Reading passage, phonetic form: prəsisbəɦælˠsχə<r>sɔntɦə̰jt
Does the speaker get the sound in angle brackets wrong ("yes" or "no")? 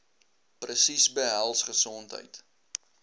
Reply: yes